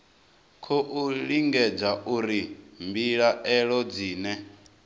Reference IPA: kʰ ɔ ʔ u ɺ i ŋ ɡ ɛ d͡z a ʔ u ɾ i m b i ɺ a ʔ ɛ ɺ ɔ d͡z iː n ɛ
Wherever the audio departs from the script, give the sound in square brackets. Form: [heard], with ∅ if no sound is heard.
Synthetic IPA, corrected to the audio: kʰ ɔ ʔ u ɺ i ŋ ɡ ɛ d͡z a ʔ u ɾ i m b i ɺ a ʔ ɛ ɺ ɔ d͡z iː n ɛ